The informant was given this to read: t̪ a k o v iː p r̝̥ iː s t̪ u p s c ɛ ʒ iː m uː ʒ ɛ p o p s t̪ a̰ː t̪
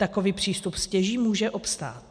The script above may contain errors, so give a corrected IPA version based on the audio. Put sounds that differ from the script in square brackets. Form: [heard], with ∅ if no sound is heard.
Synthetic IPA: t̪ a k o v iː p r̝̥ iː s t̪ u p s c ɛ ʒ iː m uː ʒ ɛ [ʔ] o p s t̪ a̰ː t̪